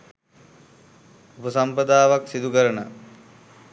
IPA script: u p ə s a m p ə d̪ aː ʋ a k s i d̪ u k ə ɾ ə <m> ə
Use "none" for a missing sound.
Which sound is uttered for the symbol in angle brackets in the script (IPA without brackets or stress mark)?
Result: n